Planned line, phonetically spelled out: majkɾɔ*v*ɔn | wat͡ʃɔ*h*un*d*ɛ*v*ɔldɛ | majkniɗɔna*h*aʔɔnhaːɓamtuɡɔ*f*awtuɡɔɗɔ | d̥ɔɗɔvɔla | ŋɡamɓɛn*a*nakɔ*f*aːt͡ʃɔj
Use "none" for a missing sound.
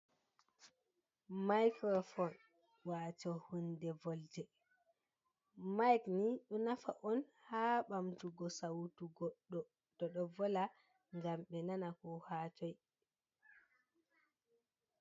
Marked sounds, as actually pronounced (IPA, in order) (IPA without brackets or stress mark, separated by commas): f, h, d, v, f, s, a, h